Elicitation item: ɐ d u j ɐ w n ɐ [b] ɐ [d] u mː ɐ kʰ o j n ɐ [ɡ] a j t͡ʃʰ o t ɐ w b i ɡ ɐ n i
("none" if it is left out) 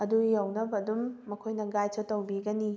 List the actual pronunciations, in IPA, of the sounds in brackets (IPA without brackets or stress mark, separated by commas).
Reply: b, d, ɡ